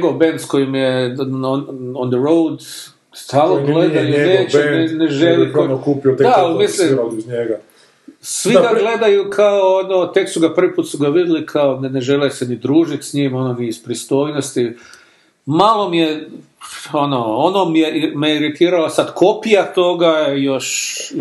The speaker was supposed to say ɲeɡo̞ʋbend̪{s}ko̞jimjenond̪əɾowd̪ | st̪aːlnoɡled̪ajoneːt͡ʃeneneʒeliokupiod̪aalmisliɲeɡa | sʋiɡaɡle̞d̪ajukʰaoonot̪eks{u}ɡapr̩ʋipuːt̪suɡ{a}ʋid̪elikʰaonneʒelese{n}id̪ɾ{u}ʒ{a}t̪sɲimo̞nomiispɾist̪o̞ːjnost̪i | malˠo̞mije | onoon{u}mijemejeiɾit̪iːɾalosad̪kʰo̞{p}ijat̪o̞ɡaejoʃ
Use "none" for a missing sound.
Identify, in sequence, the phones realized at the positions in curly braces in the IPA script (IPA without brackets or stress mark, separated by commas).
s, u, a, n, uː, i, o, p